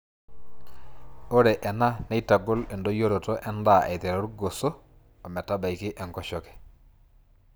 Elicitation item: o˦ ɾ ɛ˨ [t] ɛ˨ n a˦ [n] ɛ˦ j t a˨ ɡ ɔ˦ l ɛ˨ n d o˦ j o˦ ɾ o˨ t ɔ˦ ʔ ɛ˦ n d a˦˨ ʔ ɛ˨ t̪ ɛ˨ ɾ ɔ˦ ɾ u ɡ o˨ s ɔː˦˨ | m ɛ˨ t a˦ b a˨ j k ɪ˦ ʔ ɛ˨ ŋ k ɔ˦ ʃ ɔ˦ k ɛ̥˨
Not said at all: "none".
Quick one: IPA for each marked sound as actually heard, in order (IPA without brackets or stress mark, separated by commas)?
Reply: ʔ, n